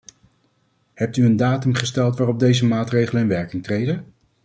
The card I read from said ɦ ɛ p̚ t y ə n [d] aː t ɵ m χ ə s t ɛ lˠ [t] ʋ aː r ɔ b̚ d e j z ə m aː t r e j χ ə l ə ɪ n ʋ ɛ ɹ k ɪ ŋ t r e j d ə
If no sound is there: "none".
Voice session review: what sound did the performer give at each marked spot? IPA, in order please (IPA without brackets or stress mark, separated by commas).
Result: d, t